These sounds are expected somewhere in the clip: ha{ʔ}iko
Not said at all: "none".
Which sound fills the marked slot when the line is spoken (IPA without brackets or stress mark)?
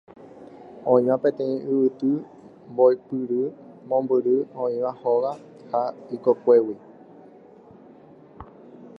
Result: none